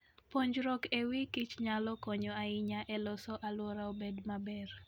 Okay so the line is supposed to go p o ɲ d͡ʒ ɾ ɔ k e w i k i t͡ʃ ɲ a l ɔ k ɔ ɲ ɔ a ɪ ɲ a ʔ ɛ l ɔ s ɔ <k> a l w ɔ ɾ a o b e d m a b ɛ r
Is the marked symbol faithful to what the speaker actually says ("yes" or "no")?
no